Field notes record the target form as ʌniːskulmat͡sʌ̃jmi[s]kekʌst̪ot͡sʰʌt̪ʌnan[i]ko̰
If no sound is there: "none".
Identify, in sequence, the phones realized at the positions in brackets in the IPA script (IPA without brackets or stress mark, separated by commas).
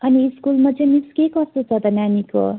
s, i